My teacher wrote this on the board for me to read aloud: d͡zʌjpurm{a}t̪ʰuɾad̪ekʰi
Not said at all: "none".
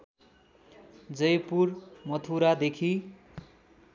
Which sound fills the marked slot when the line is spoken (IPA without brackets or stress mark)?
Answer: ʌ